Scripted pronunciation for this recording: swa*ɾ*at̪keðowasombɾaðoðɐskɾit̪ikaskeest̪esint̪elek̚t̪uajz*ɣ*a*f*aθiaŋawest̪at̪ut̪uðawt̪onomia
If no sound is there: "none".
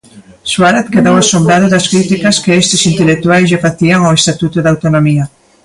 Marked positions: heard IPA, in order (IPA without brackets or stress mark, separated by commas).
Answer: ɾ, ʒ, f